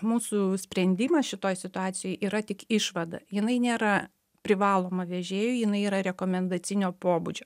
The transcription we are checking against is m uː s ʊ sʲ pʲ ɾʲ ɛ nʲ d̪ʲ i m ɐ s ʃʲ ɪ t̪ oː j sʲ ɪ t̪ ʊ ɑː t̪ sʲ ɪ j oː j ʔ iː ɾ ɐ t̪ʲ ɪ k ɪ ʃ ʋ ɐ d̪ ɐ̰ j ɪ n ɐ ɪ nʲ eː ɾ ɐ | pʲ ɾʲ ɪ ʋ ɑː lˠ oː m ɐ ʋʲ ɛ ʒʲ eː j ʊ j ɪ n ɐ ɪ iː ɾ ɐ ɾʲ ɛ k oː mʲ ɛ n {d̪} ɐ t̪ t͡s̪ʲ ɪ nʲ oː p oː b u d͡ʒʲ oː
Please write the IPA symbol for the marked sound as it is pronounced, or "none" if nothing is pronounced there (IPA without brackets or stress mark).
d̪